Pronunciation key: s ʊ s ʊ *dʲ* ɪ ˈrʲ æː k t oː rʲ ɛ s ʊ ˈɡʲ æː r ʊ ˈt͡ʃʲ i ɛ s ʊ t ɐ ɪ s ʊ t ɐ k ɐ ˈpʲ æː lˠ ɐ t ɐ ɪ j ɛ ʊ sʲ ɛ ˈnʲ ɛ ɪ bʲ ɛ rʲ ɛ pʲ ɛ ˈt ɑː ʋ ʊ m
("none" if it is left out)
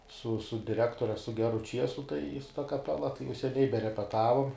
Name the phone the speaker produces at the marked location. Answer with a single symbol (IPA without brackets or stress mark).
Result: dʲ